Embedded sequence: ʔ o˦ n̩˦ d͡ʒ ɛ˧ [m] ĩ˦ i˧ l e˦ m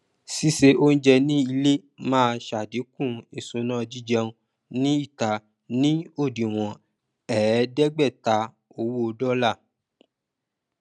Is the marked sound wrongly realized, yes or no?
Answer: yes